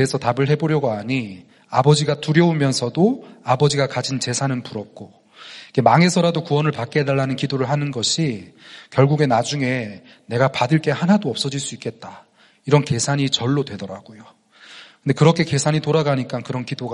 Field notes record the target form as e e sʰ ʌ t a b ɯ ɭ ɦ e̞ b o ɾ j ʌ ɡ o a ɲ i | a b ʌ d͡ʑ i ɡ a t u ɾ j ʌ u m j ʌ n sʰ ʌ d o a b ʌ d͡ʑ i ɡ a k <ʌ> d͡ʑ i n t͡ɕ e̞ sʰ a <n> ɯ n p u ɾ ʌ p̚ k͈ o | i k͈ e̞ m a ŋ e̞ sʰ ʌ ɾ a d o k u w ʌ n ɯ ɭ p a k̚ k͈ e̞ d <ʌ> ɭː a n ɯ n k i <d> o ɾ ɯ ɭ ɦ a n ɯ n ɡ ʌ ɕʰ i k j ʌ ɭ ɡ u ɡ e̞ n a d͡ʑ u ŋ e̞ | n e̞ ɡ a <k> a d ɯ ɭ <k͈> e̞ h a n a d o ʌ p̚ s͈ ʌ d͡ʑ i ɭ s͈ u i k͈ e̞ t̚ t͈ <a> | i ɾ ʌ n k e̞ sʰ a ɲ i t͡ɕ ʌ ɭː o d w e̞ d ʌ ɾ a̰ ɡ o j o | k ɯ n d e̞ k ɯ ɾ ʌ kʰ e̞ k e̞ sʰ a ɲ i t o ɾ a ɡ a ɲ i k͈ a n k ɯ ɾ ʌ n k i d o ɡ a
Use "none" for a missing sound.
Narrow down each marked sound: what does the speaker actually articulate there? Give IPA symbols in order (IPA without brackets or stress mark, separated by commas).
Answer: a, n, a, d, p, k͈, a